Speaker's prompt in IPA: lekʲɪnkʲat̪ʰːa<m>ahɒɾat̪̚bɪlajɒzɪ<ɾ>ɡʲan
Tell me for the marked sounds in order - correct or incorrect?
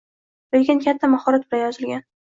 correct, incorrect: l

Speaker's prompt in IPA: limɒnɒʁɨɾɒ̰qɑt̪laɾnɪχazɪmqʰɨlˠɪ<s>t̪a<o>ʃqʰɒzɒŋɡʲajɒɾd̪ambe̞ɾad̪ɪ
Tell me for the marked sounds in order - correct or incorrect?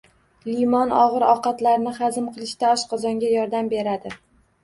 incorrect: ʃ, incorrect: ɒ

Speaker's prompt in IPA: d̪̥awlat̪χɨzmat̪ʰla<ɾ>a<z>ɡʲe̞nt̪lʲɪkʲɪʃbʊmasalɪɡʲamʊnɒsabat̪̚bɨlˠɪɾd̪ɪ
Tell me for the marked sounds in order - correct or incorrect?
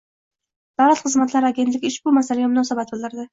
correct, incorrect: none

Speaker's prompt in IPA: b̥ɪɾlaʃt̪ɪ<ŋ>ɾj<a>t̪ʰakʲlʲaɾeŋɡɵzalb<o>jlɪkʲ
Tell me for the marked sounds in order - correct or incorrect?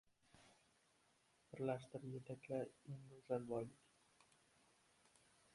incorrect: none, incorrect: e, incorrect: ɒ

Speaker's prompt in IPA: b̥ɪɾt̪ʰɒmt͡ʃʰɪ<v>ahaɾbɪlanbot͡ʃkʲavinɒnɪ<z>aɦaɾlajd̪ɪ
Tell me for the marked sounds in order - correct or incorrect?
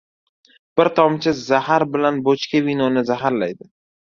incorrect: z, correct

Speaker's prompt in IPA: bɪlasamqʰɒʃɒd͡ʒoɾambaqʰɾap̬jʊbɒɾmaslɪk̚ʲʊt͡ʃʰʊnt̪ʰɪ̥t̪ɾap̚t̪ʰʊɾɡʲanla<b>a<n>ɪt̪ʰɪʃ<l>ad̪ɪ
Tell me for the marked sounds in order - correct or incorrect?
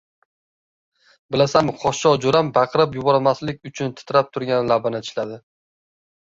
correct, correct, correct

